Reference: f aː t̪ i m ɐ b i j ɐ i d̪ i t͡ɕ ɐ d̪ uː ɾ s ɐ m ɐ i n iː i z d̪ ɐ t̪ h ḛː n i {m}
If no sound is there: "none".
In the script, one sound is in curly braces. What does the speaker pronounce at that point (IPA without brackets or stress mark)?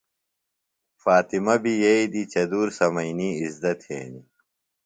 none